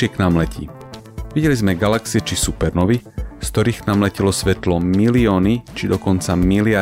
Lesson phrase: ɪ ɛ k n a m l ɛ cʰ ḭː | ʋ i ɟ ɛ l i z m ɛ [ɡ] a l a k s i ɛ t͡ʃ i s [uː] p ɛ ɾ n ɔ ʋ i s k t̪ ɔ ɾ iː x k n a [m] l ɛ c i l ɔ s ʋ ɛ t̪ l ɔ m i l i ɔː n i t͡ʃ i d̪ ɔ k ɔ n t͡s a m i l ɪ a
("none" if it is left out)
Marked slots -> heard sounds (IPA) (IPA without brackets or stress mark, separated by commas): ɡ, u, m